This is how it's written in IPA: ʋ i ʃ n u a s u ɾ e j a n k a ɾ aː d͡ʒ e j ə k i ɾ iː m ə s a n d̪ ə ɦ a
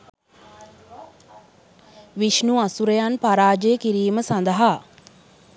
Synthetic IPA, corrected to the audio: ʋ i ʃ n u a s u ɾ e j a n p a ɾ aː d͡ʒ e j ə k i ɾ iː m ə s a n d̪ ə ɦ a